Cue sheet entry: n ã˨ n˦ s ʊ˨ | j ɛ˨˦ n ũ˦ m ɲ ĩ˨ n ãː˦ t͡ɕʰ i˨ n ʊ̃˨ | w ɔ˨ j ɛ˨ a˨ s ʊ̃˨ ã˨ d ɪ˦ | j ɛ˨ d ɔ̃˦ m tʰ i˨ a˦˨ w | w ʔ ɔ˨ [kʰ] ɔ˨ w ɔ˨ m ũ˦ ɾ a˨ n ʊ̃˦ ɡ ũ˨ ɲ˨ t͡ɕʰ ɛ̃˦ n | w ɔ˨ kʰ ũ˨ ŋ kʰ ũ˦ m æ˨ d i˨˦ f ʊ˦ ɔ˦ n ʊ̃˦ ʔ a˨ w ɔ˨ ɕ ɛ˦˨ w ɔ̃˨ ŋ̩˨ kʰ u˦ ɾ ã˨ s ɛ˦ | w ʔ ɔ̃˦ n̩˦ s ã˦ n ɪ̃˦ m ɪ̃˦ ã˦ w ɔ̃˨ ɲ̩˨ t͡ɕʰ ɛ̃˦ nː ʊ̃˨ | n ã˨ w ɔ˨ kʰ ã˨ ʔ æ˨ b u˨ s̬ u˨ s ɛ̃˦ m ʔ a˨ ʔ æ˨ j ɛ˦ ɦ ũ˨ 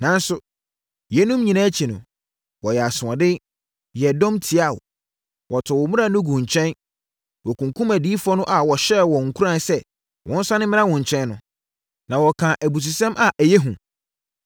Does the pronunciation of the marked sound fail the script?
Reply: yes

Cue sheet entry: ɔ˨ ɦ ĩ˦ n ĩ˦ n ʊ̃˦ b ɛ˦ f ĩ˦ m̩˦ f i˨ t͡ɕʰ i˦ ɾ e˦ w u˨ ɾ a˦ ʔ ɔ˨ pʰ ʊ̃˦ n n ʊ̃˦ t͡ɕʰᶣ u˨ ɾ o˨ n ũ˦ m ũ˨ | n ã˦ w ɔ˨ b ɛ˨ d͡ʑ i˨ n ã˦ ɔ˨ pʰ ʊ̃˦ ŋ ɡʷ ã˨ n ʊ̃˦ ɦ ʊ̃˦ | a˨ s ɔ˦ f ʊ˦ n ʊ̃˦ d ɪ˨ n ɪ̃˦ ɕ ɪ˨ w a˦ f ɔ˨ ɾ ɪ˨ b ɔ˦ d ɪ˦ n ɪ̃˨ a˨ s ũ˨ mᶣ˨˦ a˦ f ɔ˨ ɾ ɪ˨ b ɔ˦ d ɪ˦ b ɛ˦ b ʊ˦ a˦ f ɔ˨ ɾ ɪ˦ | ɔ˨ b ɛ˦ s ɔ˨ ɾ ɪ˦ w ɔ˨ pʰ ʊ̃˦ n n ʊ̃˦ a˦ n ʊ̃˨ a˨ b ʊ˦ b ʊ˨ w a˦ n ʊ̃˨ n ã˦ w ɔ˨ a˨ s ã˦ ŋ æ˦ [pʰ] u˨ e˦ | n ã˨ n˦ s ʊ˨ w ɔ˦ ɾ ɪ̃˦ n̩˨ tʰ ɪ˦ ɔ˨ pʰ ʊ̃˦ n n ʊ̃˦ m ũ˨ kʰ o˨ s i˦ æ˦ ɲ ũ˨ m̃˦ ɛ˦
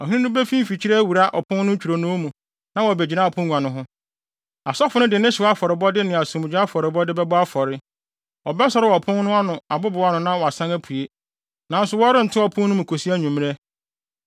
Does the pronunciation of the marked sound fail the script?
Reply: no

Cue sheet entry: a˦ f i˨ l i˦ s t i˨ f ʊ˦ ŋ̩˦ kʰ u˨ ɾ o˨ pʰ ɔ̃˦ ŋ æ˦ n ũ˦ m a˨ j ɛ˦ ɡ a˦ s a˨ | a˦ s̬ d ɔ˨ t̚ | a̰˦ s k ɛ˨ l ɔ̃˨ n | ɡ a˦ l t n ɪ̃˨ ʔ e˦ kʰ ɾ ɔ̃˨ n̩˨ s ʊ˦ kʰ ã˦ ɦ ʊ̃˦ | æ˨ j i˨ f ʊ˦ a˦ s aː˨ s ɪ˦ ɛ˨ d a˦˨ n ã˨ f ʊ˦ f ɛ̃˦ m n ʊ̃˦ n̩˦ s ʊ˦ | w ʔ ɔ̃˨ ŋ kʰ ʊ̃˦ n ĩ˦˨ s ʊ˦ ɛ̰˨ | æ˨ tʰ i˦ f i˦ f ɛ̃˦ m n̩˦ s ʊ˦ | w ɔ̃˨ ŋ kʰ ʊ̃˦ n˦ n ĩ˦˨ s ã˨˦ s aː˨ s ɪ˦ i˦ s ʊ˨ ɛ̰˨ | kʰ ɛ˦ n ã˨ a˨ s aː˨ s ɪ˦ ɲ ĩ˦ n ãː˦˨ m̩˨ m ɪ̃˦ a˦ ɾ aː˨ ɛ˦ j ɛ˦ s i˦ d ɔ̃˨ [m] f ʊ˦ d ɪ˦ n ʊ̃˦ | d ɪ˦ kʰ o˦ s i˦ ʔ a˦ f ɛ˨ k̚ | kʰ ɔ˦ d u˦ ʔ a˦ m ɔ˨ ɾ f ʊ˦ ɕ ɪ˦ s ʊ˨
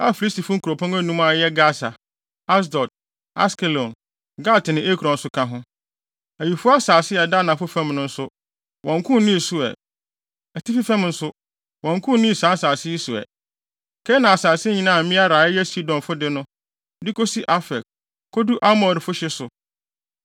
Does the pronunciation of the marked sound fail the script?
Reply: yes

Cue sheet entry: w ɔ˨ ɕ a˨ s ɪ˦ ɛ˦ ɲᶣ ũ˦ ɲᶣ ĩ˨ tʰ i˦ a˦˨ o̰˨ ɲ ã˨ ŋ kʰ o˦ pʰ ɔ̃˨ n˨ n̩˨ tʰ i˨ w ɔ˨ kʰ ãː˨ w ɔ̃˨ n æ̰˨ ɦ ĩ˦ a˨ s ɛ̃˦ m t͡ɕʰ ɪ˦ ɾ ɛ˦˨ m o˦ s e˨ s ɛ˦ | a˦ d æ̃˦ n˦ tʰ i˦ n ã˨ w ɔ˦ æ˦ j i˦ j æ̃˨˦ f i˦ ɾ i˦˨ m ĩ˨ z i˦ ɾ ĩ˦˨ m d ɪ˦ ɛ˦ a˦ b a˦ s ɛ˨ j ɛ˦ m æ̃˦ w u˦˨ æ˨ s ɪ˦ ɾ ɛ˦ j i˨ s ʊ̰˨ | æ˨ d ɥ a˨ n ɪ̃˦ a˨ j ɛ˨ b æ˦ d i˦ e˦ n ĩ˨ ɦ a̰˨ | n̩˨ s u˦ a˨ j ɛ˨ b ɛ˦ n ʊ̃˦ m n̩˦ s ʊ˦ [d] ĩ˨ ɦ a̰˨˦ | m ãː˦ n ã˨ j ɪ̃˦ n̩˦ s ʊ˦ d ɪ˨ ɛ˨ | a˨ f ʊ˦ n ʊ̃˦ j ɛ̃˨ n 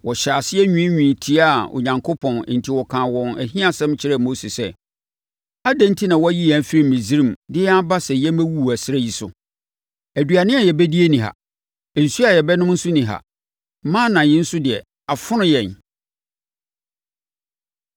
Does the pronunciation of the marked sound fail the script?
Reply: yes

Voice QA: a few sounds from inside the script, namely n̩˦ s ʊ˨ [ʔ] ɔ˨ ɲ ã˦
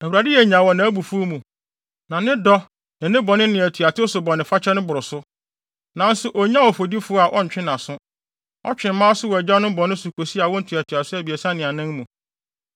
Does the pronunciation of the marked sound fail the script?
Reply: no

